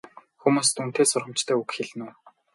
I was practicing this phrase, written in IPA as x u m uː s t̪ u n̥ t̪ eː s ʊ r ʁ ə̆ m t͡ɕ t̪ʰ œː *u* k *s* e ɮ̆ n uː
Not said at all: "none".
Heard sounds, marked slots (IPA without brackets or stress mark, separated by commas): u, x